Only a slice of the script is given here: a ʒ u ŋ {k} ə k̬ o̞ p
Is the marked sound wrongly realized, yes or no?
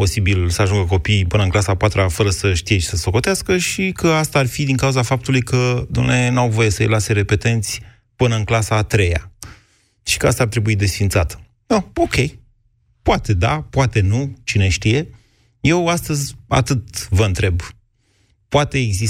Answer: yes